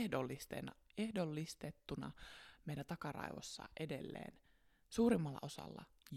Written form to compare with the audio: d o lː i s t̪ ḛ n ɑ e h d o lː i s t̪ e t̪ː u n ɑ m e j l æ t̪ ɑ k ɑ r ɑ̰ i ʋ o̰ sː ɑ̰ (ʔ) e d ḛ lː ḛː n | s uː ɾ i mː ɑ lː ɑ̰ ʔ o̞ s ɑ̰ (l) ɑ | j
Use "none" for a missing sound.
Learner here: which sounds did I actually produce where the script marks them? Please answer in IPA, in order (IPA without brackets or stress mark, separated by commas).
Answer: ʔ, lː